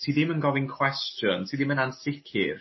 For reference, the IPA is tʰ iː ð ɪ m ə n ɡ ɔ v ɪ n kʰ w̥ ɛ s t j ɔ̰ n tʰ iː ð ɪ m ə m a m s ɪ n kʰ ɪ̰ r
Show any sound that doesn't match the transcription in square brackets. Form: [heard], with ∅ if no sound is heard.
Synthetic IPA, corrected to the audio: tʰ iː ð ɪ m ə n ɡ ɔ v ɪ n kʰ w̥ ɛ s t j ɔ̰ n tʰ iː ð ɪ m ə [n] a [n] s ɪ [∅] kʰ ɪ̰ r